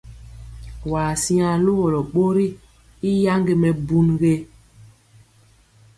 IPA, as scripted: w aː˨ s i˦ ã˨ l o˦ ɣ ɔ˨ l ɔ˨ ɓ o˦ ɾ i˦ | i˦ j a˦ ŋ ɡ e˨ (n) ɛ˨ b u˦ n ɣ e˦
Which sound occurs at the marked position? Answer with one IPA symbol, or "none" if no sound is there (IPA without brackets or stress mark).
m